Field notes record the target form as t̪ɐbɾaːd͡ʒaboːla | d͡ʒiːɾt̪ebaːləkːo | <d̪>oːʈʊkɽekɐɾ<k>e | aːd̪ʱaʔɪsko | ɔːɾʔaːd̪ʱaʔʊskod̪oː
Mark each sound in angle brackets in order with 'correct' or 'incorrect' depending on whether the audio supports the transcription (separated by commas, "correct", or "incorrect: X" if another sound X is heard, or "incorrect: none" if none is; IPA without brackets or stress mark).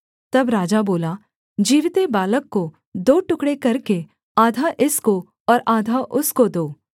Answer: correct, correct